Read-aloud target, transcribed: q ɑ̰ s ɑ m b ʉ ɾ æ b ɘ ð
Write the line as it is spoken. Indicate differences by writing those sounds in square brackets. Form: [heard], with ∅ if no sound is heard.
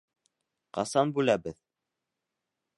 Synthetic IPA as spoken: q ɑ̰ s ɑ [n] b ʉ [l] æ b ɘ ð